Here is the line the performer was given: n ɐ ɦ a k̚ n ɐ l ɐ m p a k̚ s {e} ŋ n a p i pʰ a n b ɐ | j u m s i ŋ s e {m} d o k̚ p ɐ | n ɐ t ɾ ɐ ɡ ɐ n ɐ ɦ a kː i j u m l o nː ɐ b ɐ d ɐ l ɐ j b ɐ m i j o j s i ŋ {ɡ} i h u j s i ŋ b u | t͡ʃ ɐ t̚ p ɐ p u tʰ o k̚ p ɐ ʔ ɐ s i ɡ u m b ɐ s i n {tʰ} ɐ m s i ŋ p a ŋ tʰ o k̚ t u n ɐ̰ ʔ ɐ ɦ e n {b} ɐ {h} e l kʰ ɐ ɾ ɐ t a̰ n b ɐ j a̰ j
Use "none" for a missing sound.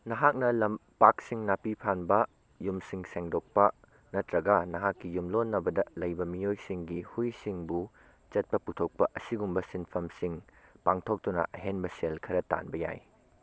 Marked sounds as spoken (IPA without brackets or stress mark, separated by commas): i, ŋ, ɡ, pʰ, b, s